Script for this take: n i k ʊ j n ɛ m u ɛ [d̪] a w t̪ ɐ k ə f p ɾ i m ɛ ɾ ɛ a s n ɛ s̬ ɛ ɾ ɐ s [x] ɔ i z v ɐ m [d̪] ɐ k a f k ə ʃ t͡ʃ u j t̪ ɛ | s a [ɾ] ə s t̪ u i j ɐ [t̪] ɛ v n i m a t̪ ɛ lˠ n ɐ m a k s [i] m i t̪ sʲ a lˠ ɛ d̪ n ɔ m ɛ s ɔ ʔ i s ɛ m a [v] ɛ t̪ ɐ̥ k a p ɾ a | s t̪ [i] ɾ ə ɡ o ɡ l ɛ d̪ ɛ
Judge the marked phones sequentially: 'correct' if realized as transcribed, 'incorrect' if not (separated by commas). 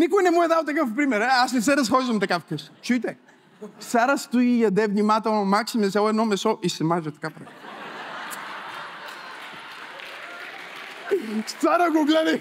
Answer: correct, correct, incorrect, correct, incorrect, correct, incorrect, incorrect